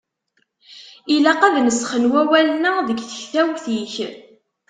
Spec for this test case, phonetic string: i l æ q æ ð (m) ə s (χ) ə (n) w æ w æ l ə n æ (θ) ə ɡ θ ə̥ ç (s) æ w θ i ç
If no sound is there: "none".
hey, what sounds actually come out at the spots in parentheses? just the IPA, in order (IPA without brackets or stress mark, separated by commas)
n, χ, n, ð, θ